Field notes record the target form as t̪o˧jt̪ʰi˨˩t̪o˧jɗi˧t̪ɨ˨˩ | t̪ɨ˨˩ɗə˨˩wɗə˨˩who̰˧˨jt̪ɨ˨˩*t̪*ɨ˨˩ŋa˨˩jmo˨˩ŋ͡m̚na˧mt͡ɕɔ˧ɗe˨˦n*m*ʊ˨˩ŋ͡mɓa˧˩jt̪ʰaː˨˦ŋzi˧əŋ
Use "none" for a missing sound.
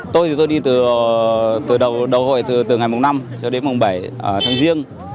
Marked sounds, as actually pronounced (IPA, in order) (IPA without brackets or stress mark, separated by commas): t̪, m